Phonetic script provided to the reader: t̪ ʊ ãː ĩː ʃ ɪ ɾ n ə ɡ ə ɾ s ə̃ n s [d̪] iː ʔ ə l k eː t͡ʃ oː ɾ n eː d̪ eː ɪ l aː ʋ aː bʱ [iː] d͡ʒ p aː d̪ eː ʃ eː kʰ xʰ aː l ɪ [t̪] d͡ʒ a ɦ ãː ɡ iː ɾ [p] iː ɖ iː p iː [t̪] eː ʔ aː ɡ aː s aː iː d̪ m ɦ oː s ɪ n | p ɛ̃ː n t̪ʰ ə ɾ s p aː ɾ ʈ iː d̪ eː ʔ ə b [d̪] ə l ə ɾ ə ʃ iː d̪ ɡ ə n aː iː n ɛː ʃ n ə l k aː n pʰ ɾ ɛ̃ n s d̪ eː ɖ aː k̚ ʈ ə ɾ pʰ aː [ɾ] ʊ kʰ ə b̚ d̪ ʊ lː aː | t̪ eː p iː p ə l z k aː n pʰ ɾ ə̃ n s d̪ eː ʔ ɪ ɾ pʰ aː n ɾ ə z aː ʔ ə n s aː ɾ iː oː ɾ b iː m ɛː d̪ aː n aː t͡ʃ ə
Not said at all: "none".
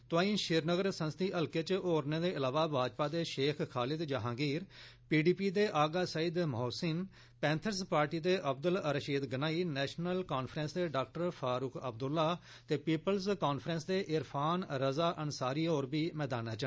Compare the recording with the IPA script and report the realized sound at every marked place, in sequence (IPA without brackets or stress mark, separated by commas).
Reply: t̪, aː, d̪, p, d̪, d̪, ɾ